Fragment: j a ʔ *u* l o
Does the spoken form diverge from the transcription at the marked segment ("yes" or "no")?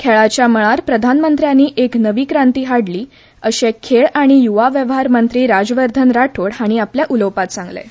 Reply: no